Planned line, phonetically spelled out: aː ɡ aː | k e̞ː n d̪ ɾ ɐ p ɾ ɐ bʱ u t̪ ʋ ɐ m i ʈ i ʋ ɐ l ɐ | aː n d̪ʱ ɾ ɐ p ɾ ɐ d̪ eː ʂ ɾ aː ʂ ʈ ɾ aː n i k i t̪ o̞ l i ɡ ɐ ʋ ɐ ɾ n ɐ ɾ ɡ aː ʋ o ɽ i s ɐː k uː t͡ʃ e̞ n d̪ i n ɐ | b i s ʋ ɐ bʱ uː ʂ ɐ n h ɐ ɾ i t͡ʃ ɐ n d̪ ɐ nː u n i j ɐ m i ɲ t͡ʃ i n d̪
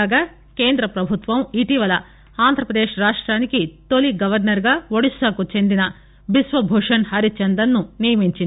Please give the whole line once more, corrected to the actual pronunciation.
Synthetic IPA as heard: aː ɡ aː | k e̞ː n d̪ ɾ ɐ p ɾ ɐ bʱ u t̪ ʋ ɐ m i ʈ i ʋ ɐ l ɐ | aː n d̪ʱ ɾ ɐ p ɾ ɐ d̪ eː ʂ ɾ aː ʂ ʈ ɾ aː n i k i t̪ o̞ l i ɡ ɐ ʋ ɐ ɾ n ɐ ɾ ɡ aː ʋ o ɽ i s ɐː k u t͡ʃ e̞ n d̪ i n ɐ | b i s ʋ ɐ bʱ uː ʂ ɐ n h ɐ ɾ i t͡ʃ ɐ n d̪ ɐ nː u n i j ɐ m i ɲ t͡ʃ i n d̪

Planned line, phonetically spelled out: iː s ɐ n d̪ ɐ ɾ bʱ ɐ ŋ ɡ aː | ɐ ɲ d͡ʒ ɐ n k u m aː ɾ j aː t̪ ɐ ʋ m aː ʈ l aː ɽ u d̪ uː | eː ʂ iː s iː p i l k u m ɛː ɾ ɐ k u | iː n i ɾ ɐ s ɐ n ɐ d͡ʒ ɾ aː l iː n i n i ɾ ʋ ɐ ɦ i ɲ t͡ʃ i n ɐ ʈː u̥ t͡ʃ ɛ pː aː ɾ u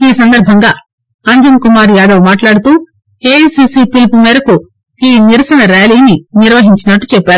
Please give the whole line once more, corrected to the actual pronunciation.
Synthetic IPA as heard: iː s ɐ n d̪ ɐ ɾ bʱ ɐ ŋ ɡ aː | ɐ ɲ d͡ʒ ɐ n k u m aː ɾ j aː d̪ ɐ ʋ m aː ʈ l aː ɽ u t̪ uː | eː s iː s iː p i l p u m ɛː ɾ ɐ k u | iː n i ɾ ɐ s ɐ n ɐ ɾ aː l iː n i n i ɾ ʋ ɐ ɦ i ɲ t͡ʃ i n ɐ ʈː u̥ t͡ʃ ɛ pː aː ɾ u

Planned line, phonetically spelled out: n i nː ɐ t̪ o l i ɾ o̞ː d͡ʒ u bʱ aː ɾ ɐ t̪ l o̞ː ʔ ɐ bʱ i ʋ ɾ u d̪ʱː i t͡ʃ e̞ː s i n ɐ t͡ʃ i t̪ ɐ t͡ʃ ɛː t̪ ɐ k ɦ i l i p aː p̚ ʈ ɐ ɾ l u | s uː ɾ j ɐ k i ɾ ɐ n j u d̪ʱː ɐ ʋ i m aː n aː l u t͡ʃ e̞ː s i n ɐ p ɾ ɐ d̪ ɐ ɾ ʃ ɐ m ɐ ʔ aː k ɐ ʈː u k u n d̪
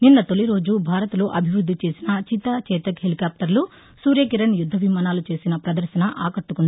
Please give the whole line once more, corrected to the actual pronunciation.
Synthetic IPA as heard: n i nː ɐ t̪ o l i ɾ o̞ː d͡ʒ u bʱ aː ɾ ɐ t̪ l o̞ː ʔ ɐ bʱ i ʋ ɾ u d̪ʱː i t͡ʃ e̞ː s i n ɐ t͡ʃ i t̪ ɐ t͡ʃ ɛː t̪ ɐ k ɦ e l i k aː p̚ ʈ ɐ ɾ l u | s uː ɾ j ɐ k i ɾ ɐ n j u d̪ʱː ɐ ʋ i m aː n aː l u t͡ʃ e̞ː s i n ɐ p ɾ ɐ d̪ ɐ ɾ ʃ ɐ n ɐ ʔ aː k ɐ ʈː u k u n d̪

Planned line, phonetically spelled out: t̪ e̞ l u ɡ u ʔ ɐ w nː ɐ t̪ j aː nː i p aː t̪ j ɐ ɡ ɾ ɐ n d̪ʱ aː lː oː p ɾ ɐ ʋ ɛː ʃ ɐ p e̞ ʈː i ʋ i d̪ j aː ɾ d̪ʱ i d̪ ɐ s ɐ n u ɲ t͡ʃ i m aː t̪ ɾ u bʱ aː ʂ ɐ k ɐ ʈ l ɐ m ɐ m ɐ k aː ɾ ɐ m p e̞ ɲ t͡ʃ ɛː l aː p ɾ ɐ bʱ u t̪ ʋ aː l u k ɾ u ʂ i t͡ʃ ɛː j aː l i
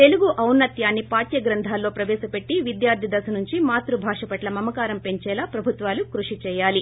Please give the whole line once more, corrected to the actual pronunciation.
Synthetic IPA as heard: t̪ e̞ l u ɡ u ʔ ɐ w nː ɐ t̪ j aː nː i p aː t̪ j ɐ ɡ ɾ ɐ n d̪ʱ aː lː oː p ɾ ɐ ʋ ɛː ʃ ɐ p e̞ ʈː i ʋ i d̪ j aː ɾ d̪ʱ i d̪ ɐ s ɐ n u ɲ t͡ʃ i m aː t̪ ɾ u bʱ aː ʂ ɐ p ɐ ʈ l ɐ m ɐ m ɐ k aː ɾ ɐ m p e̞ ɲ t͡ʃ ɛː l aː p ɾ ɐ bʱ u t̪ ʋ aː l u k ɾ u ʂ i t͡ʃ ɛː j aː l i

